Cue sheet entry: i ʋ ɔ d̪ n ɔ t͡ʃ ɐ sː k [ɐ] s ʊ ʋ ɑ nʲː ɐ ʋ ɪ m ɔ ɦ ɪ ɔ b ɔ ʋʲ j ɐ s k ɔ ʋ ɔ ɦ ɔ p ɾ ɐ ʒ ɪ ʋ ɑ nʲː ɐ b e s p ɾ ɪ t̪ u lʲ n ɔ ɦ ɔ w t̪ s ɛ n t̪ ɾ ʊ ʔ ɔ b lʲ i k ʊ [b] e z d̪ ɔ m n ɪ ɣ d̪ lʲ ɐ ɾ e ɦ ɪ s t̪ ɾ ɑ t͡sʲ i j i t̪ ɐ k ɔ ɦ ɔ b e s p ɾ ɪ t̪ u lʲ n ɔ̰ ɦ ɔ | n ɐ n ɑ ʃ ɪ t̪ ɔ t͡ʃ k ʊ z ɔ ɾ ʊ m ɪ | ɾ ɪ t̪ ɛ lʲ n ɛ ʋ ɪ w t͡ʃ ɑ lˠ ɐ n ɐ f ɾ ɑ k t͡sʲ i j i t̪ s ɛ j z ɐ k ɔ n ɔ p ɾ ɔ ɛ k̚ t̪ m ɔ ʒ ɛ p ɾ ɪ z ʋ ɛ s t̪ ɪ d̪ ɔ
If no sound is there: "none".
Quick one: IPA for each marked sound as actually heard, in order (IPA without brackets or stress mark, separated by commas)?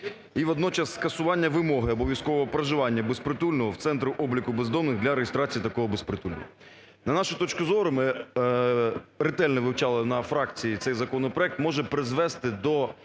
ɐ, b